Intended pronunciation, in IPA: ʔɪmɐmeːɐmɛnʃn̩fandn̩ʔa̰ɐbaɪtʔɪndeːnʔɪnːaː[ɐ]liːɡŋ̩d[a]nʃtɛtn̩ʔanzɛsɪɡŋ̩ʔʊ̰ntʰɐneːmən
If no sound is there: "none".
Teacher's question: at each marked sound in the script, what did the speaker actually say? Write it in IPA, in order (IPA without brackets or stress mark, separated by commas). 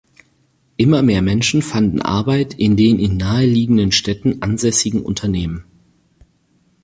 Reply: ə, ə